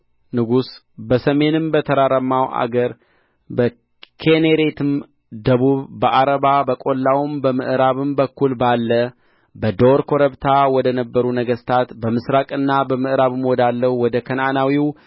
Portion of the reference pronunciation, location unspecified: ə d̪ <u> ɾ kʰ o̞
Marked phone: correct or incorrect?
incorrect